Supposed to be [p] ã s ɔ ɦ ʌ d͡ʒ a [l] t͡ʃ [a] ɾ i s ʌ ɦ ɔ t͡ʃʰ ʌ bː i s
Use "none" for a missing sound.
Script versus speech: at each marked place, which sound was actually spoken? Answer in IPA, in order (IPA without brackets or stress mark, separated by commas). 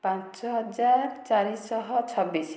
p, ɾ, a